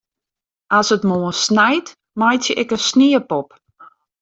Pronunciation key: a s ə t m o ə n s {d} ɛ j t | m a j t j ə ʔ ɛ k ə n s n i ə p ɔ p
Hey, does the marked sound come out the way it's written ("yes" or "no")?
no